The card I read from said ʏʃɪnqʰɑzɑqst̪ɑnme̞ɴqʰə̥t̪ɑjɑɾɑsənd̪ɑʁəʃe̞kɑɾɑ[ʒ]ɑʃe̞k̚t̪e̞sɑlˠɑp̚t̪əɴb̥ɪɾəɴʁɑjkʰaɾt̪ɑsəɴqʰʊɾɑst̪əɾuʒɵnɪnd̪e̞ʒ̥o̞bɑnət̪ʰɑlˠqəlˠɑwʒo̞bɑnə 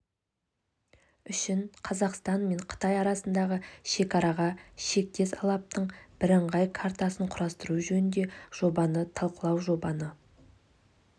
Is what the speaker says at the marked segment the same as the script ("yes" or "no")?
no